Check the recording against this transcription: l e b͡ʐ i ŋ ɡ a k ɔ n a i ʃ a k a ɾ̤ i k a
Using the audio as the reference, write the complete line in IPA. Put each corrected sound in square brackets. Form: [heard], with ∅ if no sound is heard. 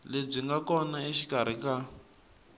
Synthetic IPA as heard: l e b͡ʐ i ŋ ɡ a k ɔ n a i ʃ [i] k a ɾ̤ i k a